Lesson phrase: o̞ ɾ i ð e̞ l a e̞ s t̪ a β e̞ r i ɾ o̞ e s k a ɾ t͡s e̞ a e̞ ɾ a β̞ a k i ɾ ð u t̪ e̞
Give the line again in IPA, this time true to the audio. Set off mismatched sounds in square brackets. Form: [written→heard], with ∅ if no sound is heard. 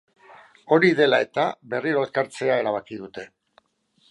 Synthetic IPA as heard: o̞ ɾ i ð e̞ l a e̞ [s→∅] t̪ a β e̞ r i ɾ o̞ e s k a ɾ t͡s e̞ a e̞ ɾ a β̞ a k i [ɾ→∅] ð u t̪ e̞